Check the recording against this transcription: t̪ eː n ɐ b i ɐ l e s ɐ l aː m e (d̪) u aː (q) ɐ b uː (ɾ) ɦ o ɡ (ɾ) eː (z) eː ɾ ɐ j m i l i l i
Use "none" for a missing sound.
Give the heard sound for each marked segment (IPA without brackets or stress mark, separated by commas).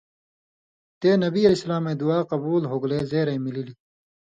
d̪, q, l, l, z